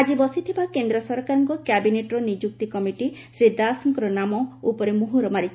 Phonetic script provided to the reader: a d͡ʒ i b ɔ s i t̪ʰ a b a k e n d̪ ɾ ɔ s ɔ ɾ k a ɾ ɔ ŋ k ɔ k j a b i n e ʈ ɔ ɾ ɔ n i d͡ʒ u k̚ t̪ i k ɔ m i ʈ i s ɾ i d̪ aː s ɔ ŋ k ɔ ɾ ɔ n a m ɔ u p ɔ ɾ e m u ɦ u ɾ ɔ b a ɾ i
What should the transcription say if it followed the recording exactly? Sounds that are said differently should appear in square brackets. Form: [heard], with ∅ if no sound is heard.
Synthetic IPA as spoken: a d͡ʒ i b ɔ s i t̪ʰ [i] b a k e n d̪ ɾ ɔ s ɔ ɾ k a ɾ ɔ ŋ k ɔ k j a b i n e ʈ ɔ ɾ ɔ n i d͡ʒ u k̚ t̪ i k ɔ m i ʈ i s ɾ i d̪ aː s ɔ ŋ k ɔ ɾ ɔ n a m ɔ u p ɔ ɾ e m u ɦ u ɾ ɔ [m] a ɾ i

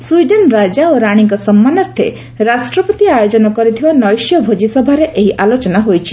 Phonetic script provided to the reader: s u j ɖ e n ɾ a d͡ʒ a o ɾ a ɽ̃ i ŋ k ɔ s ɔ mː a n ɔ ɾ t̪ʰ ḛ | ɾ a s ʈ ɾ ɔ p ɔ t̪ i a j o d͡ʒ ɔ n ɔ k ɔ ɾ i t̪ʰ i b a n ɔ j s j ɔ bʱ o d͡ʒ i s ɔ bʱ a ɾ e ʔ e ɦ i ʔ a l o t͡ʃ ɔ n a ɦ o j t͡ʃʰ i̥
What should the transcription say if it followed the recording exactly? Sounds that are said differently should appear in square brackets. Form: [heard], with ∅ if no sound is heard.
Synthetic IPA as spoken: s u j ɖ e n ɾ a d͡ʒ a o ɾ a ɽ̃ i ŋ k ɔ s ɔ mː a n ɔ ɾ t̪ʰ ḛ | ɾ a s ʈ ɾ ɔ p ɔ t̪ i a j o d͡ʒ ɔ n ɔ k ɔ ɾ i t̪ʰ i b a n ɔ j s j ɔ bʱ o d͡ʒ i s ɔ bʱ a ɾ e ʔ e ɦ i ʔ a l o t͡ʃ ɔ n a ɦ o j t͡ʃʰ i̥

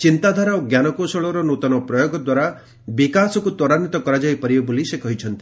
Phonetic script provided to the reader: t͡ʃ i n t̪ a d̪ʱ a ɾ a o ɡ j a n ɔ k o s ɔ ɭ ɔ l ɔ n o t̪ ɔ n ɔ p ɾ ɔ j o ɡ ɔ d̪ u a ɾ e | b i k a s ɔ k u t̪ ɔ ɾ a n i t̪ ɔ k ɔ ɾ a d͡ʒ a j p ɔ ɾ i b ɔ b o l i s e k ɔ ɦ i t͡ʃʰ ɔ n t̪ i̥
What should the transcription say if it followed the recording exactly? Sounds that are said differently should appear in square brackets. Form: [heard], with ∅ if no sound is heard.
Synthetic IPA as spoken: t͡ʃ i n t̪ a d̪ʱ a ɾ a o ɡ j a n ɔ k o s ɔ ɭ ɔ [ɾ] ɔ n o t̪ ɔ n ɔ p ɾ ɔ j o ɡ ɔ d̪ [w] a ɾ [a] | b i k a s ɔ k u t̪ ɔ ɾ a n i t̪ ɔ k ɔ ɾ a d͡ʒ a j p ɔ ɾ i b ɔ b o l i s e k ɔ ɦ i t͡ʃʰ ɔ n t̪ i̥

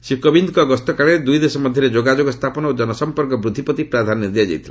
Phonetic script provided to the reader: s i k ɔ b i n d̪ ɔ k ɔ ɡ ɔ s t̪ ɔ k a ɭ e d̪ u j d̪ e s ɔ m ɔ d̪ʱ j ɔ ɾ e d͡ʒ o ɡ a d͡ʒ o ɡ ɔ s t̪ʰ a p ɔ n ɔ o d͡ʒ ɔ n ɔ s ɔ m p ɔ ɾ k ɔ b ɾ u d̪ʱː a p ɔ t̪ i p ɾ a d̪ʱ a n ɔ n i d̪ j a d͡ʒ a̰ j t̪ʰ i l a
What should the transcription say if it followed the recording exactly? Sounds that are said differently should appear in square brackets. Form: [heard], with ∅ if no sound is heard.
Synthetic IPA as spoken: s i k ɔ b i n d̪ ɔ k ɔ ɡ ɔ s t̪ ɔ k a ɭ e d̪ u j d̪ e s ɔ m ɔ d̪ʱ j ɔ ɾ e d͡ʒ o ɡ a d͡ʒ o ɡ ɔ s t̪ʰ a p ɔ n ɔ o d͡ʒ ɔ n ɔ s ɔ m p ɔ ɾ k ɔ b ɾ u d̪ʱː [i] p ɔ t̪ i p ɾ a d̪ʱ a n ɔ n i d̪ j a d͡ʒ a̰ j t̪ʰ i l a

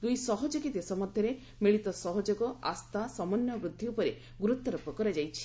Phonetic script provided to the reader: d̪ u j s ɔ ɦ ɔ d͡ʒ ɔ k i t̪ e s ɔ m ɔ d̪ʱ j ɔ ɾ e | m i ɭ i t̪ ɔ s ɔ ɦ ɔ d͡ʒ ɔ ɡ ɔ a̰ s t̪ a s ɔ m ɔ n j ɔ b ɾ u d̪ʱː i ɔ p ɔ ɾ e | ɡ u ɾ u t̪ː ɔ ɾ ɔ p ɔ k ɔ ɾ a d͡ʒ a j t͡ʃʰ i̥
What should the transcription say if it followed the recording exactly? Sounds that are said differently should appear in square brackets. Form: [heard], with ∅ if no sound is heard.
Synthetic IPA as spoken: d̪ u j s ɔ ɦ ɔ d͡ʒ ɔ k i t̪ e s ɔ m ɔ d̪ʱ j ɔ ɾ e | m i ɭ i t̪ ɔ s ɔ ɦ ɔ d͡ʒ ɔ ɡ ɔ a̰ s t̪ a s ɔ m ɔ n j ɔ b ɾ u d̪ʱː i [u] p ɔ ɾ e | ɡ u ɾ u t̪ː ɔ ɾ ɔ p ɔ k ɔ ɾ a d͡ʒ a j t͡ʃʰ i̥

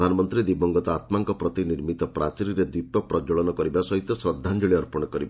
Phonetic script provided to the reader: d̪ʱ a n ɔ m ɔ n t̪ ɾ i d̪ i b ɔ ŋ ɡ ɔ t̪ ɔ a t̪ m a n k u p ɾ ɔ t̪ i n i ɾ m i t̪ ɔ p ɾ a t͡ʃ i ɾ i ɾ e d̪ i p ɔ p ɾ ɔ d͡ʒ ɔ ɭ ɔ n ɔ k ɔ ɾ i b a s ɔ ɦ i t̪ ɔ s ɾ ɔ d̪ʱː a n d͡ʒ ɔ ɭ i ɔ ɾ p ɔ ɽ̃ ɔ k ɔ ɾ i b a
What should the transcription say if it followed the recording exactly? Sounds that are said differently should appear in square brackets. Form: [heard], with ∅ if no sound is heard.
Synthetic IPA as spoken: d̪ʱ a n ɔ m ɔ n t̪ ɾ i d̪ i b ɔ ŋ ɡ ɔ t̪ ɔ a t̪ m a [ŋ] k [ɔ] p ɾ ɔ t̪ i n i ɾ m i t̪ ɔ p ɾ a t͡ʃ i ɾ i ɾ e d̪ i p ɔ p ɾ ɔ d͡ʒ ɔ ɭ ɔ n ɔ k ɔ ɾ i b a s ɔ ɦ i t̪ ɔ s ɾ ɔ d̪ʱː a n d͡ʒ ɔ ɭ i ɔ ɾ p ɔ ɽ̃ ɔ k ɔ ɾ i b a

